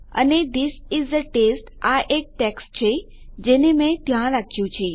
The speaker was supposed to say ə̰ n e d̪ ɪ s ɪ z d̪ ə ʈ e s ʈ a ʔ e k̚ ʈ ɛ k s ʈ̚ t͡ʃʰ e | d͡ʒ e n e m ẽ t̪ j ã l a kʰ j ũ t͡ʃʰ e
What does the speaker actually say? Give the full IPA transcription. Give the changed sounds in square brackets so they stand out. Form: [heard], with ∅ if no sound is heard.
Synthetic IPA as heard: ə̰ n e d̪ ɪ s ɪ z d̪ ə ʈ e s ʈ a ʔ e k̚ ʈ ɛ k s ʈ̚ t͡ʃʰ e | d͡ʒ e n e m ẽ t̪ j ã l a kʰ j ũ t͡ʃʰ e